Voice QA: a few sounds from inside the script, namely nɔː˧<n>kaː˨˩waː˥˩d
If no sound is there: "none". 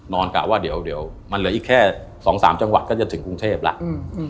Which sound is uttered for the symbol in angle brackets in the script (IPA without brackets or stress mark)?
n